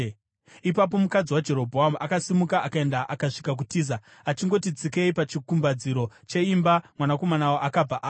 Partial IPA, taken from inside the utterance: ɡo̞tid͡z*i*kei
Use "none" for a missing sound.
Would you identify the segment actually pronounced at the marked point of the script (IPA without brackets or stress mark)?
i